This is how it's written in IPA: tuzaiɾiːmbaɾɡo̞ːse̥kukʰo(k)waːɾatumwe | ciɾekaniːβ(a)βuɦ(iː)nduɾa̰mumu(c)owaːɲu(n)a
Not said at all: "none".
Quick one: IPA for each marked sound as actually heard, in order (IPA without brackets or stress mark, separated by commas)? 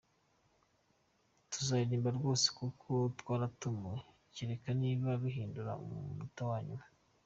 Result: t, a, iː, t, m